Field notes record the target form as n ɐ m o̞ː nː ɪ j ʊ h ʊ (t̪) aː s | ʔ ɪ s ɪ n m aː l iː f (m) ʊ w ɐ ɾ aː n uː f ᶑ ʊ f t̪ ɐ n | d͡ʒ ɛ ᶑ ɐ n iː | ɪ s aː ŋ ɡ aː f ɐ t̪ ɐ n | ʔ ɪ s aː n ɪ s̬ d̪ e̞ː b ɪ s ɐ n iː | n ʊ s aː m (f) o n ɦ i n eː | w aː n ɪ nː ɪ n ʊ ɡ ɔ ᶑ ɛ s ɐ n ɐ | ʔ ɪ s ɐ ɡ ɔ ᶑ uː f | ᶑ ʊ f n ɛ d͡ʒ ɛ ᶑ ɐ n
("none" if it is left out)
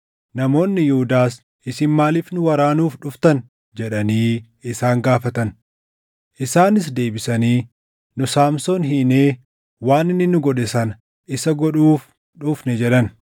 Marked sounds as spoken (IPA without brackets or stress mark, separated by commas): d̪, n, s